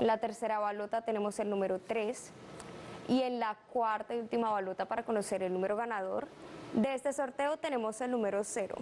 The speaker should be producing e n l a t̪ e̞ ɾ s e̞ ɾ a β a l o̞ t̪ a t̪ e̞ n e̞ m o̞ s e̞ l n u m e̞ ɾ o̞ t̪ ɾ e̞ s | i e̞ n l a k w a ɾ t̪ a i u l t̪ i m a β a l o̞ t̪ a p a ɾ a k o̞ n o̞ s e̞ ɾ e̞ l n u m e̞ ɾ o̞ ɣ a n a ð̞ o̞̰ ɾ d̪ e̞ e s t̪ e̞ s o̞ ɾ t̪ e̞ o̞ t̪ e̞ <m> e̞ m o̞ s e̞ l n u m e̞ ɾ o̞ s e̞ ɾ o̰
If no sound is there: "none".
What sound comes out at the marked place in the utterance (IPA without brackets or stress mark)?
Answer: n